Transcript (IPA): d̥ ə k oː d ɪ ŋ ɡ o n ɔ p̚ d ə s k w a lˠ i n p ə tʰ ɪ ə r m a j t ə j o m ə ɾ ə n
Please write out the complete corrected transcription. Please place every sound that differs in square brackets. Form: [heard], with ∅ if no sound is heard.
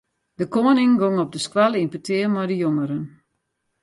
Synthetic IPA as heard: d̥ ə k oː [n] ɪ ŋ ɡ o [ŋ] ɔ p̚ d ə s k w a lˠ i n p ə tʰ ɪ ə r m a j [d] ə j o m ə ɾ ə n